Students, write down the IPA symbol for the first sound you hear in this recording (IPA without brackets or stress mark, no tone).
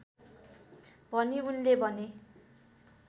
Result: bʱ